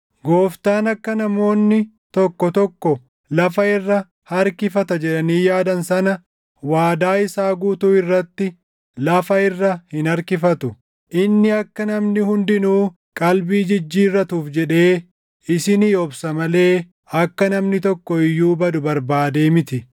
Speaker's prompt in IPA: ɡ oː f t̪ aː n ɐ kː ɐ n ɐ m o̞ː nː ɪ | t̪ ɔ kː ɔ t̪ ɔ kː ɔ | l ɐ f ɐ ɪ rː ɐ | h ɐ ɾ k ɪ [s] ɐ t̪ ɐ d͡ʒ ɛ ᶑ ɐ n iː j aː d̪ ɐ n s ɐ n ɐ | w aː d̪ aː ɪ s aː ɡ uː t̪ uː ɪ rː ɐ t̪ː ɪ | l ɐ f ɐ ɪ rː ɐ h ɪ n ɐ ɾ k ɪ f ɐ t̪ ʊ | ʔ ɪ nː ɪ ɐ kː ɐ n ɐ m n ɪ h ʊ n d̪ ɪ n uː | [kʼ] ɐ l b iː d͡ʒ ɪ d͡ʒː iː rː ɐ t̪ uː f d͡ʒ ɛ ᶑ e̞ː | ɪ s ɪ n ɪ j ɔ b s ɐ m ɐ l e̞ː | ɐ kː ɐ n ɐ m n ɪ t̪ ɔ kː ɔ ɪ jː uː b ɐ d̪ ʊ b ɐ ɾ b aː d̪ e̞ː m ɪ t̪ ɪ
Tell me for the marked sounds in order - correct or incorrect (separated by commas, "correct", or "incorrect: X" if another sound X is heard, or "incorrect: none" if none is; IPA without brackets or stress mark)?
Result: incorrect: f, correct